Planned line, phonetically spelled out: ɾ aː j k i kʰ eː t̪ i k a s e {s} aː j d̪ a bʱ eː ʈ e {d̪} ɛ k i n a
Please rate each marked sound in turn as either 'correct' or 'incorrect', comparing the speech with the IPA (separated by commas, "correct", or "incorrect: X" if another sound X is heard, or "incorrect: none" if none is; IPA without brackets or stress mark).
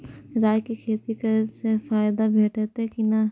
incorrect: f, incorrect: t̪